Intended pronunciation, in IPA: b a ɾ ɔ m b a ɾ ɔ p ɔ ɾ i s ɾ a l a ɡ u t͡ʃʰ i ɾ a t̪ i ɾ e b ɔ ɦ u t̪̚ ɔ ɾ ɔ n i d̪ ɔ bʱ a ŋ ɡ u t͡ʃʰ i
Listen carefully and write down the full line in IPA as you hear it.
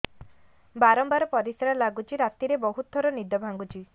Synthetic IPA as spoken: b a ɾ ɔ m b a ɾ ɔ p ɔ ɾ i s ɾ a l a ɡ u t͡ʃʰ i ɾ a t̪ i ɾ e b ɔ ɦ u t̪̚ ɔ ɾ ɔ n i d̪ ɔ bʱ a ŋ ɡ u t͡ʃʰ i